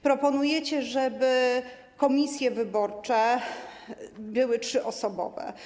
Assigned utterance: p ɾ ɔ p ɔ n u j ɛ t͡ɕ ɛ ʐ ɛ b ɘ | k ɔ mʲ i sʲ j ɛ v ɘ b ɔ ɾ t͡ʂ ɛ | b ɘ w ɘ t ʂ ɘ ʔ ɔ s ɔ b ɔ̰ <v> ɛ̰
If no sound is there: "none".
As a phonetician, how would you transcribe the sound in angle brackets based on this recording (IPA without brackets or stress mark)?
v